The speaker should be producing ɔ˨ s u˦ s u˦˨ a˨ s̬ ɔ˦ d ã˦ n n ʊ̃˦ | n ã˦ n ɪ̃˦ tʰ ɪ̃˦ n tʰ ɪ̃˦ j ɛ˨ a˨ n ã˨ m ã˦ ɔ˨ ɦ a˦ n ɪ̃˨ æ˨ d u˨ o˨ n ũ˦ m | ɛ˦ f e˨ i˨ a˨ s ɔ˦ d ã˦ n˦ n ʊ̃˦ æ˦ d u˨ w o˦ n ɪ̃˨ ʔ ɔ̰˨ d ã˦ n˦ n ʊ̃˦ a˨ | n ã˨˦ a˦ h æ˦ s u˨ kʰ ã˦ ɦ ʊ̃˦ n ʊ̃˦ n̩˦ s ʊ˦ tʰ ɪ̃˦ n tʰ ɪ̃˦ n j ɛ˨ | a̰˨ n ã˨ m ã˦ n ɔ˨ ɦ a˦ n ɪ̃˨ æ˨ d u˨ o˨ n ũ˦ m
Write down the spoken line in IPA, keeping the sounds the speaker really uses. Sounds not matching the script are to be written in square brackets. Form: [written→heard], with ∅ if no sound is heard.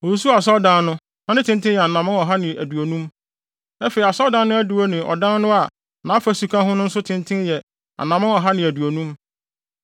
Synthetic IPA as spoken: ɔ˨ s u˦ s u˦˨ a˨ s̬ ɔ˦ d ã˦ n n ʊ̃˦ | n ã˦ n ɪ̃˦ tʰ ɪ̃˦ n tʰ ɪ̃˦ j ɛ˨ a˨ n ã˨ m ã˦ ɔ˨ ɦ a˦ n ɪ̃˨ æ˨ d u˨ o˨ n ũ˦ m | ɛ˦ f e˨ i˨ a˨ s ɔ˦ d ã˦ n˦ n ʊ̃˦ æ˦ d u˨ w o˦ n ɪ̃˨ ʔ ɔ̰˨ d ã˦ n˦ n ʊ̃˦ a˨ | n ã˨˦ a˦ [h→f] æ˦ s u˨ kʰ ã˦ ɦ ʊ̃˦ n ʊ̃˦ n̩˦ s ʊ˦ tʰ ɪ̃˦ n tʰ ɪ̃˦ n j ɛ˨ | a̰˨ n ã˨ m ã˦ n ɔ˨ ɦ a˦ n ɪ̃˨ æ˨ d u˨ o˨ n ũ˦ m